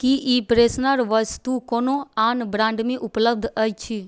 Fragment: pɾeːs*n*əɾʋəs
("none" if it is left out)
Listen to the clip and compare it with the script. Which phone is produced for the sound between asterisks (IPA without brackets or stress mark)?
n